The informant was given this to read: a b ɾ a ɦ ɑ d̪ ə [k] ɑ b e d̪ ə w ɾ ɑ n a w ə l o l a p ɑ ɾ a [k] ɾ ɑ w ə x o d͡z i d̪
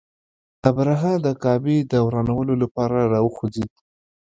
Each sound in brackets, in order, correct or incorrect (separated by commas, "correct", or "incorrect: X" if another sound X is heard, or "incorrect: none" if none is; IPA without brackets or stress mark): correct, incorrect: none